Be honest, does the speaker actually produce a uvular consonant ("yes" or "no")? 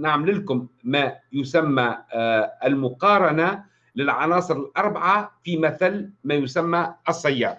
yes